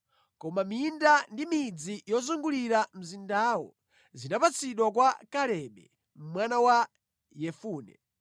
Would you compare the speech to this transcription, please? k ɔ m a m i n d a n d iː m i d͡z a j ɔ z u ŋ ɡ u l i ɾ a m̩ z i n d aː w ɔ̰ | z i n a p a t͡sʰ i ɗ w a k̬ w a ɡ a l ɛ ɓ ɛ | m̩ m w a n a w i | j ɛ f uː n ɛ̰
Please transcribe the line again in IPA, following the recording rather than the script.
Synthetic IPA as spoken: k ɔ m a m i n d a n d i m i d͡z i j ɔ z u ŋ ɡ u l i ɾ a m̩ z i n d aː w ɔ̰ | z i n a p a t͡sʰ i ɗ w a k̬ w a k a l ɛ ɓ ɛ | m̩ m w a n a w a | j ɛ f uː n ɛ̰